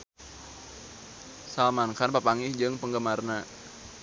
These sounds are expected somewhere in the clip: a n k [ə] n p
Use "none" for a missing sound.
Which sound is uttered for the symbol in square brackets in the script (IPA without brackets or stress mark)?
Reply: a